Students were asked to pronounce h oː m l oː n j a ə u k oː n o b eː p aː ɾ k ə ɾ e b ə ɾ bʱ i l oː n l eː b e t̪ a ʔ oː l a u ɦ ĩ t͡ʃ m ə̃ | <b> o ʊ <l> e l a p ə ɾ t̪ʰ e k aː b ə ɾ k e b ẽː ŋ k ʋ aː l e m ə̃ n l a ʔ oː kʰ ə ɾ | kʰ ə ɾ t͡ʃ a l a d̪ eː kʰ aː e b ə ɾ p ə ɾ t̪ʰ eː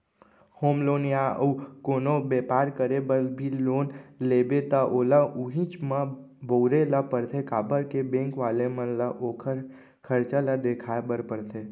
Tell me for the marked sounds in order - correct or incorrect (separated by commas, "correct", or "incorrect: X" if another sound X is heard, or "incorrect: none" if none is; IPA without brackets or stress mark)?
correct, incorrect: ɾ